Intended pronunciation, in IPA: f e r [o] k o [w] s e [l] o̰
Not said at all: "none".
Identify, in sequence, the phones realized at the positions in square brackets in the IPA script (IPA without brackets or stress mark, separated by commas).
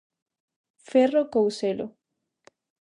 o, w, l